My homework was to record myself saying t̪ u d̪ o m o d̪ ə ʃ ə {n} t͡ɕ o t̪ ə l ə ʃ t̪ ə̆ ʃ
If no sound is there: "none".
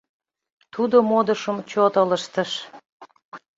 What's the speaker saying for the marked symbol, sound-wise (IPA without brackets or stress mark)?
m